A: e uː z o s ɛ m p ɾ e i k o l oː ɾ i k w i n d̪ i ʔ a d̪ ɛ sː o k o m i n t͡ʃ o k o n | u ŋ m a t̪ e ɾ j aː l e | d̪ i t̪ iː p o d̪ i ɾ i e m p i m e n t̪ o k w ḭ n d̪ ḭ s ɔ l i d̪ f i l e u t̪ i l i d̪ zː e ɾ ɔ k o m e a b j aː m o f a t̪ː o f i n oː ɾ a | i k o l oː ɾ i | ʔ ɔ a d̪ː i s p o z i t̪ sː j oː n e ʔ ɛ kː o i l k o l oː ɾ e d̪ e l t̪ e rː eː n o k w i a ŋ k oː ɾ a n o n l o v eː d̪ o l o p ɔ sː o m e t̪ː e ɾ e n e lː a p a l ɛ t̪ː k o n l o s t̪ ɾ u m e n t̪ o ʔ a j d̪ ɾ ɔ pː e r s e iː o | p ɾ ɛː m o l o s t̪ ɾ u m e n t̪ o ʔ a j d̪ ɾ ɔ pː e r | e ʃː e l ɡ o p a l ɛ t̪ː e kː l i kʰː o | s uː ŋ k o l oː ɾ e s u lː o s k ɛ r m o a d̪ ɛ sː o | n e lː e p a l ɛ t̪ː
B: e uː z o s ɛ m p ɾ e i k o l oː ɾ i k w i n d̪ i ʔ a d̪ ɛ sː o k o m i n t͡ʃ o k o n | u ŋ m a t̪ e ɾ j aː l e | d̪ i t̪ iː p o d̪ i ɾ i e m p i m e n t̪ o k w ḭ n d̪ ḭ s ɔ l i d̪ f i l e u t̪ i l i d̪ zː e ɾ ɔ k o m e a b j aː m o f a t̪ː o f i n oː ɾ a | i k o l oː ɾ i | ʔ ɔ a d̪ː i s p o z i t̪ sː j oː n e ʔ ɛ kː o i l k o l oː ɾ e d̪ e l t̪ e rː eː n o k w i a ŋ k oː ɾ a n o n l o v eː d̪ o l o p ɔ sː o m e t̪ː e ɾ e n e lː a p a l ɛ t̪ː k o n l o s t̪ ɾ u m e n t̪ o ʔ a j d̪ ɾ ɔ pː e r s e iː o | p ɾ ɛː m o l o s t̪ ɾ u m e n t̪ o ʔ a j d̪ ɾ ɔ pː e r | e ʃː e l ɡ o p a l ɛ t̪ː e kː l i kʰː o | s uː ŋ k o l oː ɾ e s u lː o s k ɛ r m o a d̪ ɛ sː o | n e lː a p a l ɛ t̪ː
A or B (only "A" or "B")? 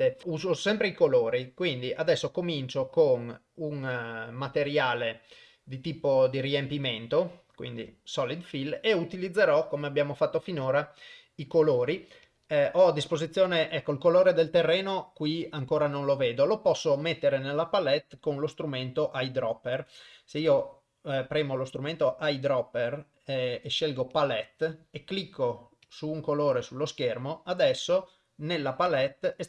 B